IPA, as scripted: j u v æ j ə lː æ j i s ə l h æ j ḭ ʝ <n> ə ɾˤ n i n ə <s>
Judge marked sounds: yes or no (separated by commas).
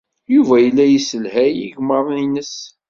no, yes